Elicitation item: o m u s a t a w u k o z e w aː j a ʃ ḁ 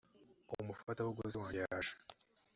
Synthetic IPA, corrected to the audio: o m u f a t a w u ɡ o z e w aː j a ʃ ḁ